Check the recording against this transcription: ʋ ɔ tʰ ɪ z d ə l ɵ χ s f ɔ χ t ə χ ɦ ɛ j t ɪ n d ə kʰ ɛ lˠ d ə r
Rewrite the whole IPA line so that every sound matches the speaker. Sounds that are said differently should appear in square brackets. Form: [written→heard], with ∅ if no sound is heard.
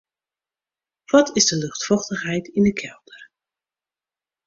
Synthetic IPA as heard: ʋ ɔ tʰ ɪ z d ə l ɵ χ [s→t] f ɔ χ t ə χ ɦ ɛ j t ɪ n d ə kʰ ɛ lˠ d ə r